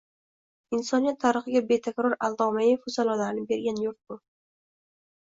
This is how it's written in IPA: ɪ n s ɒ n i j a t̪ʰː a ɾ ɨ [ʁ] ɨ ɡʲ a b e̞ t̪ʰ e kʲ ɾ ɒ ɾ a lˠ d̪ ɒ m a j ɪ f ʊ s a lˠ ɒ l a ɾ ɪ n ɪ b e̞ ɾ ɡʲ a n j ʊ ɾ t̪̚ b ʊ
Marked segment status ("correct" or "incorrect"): incorrect